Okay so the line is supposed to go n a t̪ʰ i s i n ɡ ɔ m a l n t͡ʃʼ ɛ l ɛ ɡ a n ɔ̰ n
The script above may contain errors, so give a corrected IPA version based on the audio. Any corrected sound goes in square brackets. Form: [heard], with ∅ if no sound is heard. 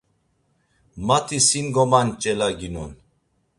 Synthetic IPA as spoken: [m] a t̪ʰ i s i n ɡ ɔ m a [∅] n t͡ʃʼ ɛ l [a] ɡ [i] n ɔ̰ n